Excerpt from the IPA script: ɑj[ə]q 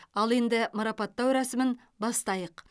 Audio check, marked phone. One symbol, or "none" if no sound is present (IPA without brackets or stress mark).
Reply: ə